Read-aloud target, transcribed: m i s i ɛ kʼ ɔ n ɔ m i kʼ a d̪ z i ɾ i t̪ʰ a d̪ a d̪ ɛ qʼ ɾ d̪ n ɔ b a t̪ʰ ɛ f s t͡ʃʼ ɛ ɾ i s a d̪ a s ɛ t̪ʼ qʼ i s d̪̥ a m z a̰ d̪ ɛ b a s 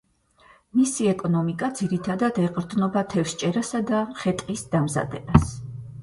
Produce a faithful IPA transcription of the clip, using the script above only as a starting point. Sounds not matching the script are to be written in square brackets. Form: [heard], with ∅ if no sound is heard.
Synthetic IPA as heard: m i s i ɛ kʼ ɔ n ɔ m i kʼ a d̪ z i ɾ i t̪ʰ a d̪ a d̪ ɛ qʼ ɾ d̪ n ɔ b a t̪ʰ ɛ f s t͡ʃʼ ɛ ɾ [a] s a d̪ a [χ] ɛ t̪ʼ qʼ i s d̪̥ a m z a̰ d̪ ɛ b a s